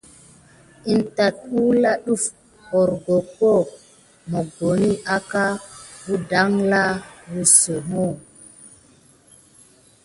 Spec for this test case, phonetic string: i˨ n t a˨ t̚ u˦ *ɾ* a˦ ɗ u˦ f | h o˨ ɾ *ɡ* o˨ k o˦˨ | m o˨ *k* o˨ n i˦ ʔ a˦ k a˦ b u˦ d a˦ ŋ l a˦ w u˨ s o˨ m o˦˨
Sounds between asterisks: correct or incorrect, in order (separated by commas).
incorrect, correct, incorrect